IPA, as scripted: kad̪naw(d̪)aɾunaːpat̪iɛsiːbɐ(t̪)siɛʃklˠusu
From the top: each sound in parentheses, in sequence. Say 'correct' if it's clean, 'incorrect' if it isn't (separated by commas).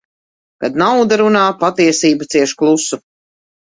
correct, correct